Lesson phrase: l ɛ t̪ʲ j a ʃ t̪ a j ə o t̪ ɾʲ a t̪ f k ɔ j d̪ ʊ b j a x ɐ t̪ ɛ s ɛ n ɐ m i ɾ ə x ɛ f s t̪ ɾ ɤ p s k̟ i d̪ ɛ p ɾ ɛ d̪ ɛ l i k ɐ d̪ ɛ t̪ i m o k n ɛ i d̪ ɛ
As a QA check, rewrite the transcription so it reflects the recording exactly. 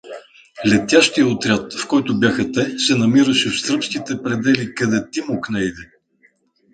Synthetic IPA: l ɛ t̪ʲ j a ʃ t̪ i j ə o t̪ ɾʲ a t̪ f k ɔ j t̪ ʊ b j a x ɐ t̪ ɛ s ɛ n ɐ m i ɾ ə ʃ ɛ f s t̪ ɾ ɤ p s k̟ i t̪ ɛ p ɾ ɛ d̪ ɛ l i k ɐ d̪ ɛ t̪ i m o k n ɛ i d̪ ɛ